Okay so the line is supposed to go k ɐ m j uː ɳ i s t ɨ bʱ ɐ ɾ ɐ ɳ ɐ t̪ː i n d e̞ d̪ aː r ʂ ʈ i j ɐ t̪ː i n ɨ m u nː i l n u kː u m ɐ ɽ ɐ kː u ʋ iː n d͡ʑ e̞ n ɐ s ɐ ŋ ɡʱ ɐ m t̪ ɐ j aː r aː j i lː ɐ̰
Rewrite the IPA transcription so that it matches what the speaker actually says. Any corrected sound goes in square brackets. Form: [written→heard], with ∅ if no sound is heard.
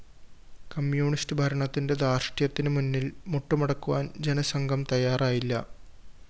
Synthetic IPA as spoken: k ɐ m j uː ɳ i s t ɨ bʱ ɐ ɾ ɐ ɳ ɐ t̪ː i n d e̞ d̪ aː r ʂ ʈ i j ɐ t̪ː i n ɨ m u nː i l [n→m] u [kː→ʈː] u m ɐ ɽ ɐ kː u ʋ [iː→aː] n d͡ʑ e̞ n ɐ s ɐ ŋ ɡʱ ɐ m t̪ ɐ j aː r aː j i lː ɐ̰